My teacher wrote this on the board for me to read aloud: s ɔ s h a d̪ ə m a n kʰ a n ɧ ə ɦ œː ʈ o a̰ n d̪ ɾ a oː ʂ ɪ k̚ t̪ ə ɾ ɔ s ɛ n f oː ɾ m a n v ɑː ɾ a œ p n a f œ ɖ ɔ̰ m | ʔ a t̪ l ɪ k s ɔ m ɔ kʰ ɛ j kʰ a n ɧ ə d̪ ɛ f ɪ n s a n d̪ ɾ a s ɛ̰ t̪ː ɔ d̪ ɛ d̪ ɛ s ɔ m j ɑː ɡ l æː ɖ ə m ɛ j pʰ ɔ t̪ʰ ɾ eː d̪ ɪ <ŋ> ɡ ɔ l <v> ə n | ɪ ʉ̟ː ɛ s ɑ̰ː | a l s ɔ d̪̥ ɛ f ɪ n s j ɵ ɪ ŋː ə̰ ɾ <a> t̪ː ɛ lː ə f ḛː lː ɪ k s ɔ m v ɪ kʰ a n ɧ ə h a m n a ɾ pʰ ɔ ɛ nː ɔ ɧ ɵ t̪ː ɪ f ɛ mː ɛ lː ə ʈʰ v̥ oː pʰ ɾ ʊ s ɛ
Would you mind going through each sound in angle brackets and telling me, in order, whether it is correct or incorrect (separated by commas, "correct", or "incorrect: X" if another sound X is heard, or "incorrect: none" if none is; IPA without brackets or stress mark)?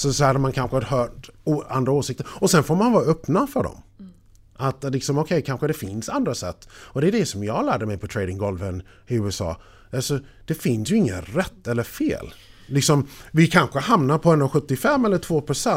correct, correct, incorrect: ɛ